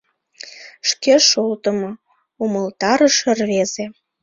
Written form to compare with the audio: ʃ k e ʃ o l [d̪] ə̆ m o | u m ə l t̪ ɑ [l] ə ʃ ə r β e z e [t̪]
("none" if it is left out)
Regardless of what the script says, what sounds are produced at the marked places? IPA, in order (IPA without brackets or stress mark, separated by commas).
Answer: t̪, ɾ, none